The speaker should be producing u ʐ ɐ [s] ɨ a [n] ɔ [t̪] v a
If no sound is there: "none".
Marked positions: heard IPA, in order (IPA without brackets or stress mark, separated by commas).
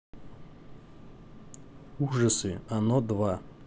s, n, d̪